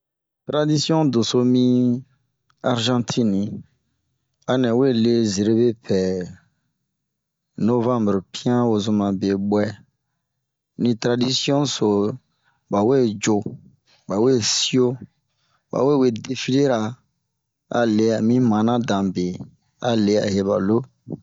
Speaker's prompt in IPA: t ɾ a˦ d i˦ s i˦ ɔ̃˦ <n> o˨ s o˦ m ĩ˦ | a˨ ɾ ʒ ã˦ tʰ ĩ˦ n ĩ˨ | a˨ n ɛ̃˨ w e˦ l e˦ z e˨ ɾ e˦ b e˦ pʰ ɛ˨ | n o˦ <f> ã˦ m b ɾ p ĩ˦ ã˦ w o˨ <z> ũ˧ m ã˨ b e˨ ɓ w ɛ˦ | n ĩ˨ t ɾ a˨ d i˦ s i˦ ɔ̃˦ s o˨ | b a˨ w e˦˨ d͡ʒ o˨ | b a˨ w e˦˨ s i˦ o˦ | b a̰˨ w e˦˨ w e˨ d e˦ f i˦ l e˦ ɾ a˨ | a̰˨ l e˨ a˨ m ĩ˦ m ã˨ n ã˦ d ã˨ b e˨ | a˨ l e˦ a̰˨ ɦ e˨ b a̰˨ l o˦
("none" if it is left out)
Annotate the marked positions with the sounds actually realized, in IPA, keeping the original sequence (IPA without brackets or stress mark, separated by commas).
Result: d, v, z